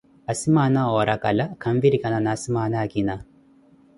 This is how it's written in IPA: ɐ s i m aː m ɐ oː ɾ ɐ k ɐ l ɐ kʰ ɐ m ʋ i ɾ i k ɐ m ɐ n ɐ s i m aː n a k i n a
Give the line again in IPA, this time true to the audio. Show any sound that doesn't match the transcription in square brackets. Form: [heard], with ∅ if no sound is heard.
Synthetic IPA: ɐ s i m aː [n] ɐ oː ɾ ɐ k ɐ l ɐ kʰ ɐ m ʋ i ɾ i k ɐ [n] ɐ n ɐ s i m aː n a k i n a